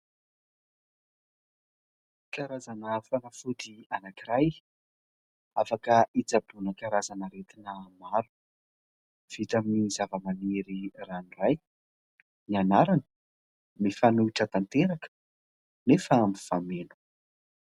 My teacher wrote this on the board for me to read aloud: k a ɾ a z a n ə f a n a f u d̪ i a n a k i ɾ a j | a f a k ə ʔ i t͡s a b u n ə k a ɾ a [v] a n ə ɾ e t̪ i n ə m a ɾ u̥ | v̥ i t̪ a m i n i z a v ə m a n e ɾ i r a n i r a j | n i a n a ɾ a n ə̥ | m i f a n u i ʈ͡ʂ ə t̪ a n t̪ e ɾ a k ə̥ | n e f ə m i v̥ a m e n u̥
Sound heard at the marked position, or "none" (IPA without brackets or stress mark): z